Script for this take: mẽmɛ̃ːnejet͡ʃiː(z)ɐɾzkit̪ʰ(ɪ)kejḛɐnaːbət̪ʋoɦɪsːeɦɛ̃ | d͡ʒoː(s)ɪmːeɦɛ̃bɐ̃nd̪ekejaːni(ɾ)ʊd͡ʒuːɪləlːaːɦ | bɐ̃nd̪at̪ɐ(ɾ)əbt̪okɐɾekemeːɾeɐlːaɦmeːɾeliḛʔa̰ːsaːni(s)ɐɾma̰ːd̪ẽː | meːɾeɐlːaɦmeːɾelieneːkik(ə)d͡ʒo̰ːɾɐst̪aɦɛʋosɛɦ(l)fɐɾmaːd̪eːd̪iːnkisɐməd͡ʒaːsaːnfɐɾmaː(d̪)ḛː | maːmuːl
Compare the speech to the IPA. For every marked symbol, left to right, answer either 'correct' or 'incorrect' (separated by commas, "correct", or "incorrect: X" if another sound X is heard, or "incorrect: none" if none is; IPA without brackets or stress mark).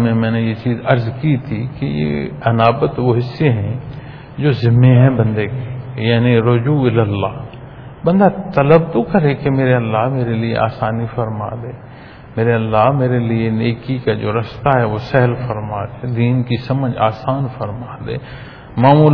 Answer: correct, incorrect: i, incorrect: z, correct, incorrect: l, incorrect: f, incorrect: a, correct, correct